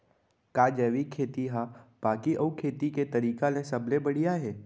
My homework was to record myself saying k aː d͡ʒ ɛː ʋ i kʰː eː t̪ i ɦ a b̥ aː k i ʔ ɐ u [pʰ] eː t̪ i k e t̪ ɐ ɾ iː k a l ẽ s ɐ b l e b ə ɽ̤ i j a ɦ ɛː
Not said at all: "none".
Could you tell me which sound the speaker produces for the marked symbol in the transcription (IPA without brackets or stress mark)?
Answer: kʰ